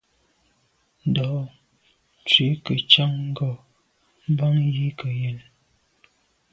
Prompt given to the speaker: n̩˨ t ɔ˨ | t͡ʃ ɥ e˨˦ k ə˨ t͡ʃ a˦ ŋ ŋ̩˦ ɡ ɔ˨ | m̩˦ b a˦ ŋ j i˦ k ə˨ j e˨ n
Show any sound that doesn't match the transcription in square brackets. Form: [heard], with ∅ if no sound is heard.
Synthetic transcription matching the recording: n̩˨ [d] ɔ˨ | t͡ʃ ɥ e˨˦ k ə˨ t͡ʃ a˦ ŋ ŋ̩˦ ɡ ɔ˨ | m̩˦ b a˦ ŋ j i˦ k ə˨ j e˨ n